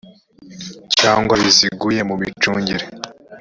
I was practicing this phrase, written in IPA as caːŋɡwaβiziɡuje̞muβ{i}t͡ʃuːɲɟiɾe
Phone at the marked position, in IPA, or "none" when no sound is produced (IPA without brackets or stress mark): i